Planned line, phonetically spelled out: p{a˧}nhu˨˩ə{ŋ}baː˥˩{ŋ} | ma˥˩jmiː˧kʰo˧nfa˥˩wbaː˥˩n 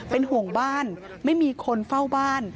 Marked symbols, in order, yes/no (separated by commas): no, yes, no